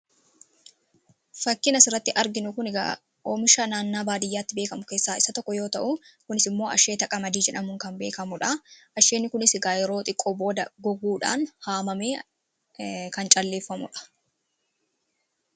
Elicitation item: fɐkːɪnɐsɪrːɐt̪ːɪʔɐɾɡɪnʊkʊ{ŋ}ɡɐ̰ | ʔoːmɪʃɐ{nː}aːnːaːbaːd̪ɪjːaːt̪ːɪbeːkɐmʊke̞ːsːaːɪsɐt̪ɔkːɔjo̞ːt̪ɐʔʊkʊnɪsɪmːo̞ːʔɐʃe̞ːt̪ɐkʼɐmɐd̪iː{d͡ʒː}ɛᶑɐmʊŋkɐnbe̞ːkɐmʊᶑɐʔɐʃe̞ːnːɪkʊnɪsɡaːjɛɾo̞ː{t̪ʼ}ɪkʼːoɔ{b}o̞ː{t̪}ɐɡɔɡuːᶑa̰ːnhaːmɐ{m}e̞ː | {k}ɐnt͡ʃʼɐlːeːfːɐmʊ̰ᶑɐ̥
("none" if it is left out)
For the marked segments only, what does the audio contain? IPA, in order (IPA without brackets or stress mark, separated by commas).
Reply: n, n, d͡ʒ, t̪ʼ, b, d̪, m, k